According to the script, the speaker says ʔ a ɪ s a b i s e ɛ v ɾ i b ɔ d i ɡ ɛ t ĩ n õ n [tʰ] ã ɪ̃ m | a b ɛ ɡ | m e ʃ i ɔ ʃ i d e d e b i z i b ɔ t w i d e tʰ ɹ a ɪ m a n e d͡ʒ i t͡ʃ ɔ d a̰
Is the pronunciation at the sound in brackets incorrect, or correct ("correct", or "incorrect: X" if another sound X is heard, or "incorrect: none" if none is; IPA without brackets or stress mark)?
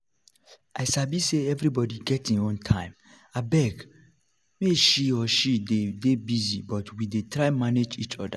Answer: correct